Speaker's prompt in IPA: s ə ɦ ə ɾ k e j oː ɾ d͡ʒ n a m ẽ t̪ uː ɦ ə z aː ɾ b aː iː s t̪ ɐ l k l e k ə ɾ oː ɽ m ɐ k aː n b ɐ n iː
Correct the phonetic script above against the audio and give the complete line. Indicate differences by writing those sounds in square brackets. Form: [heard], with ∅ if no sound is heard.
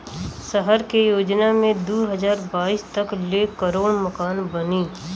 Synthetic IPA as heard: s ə ɦ ə ɾ k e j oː [∅] d͡ʒ n a m ẽ [d̪] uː ɦ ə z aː ɾ b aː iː s t̪ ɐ [∅] k l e k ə ɾ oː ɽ m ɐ k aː n b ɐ n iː